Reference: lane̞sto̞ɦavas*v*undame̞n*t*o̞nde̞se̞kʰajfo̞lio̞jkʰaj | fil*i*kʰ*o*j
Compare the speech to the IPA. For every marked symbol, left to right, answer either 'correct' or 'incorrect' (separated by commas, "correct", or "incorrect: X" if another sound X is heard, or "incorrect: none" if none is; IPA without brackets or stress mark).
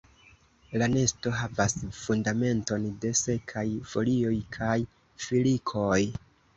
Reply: incorrect: f, correct, correct, correct